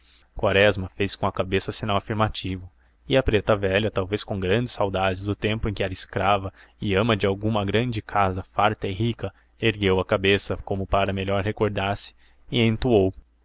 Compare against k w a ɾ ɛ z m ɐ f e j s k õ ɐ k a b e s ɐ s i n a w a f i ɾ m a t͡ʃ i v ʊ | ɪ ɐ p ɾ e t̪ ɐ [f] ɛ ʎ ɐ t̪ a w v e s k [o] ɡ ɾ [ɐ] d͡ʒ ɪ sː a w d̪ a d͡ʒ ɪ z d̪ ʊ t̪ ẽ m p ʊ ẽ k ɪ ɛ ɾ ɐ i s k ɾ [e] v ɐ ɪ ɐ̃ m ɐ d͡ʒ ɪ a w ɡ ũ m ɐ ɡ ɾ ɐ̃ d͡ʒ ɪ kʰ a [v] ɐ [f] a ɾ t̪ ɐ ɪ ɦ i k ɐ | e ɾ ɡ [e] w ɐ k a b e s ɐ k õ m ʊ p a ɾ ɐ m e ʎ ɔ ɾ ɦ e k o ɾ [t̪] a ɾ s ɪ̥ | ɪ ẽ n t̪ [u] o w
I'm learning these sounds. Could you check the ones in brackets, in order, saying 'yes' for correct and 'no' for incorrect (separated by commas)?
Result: no, no, no, no, no, yes, yes, no, yes